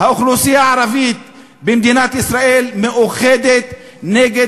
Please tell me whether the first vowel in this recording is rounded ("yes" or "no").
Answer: no